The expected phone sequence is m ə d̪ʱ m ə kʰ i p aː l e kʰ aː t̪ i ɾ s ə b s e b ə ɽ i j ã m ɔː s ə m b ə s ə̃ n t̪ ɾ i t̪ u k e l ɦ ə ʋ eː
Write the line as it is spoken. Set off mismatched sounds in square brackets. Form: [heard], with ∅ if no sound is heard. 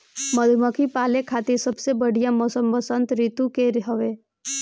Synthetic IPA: m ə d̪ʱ m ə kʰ i p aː l e kʰ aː t̪ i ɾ s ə b s e b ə ɽ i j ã m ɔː s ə m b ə s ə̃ n t̪ ɾ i t̪ u k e [ɾ] ɦ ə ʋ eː